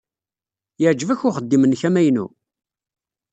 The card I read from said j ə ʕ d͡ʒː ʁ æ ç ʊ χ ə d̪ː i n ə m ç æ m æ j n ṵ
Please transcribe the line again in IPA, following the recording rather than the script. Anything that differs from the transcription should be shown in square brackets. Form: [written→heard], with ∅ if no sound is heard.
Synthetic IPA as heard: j ə ʕ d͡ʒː [ʁ→v] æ ç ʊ χ ə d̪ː i [n→m] ə [m→n] ç æ m æ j n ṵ